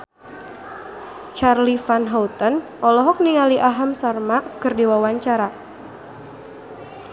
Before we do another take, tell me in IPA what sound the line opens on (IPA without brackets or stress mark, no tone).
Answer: t͡ʃ